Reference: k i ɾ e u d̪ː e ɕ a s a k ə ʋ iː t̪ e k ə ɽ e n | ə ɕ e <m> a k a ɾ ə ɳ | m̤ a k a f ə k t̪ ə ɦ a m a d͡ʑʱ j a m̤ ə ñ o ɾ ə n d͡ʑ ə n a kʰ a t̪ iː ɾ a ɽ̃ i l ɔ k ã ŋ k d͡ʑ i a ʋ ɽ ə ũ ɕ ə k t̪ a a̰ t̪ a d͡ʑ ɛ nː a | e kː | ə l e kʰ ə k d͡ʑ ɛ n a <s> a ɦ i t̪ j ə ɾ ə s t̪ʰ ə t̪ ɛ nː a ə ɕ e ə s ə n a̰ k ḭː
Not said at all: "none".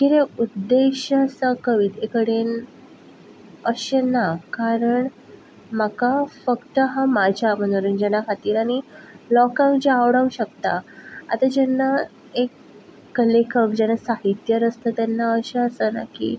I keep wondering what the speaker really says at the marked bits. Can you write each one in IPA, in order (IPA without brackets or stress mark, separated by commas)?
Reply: n, s